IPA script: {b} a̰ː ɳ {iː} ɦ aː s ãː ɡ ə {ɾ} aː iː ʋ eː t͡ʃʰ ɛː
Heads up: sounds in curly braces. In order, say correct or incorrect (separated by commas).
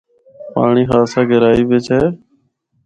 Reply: incorrect, correct, correct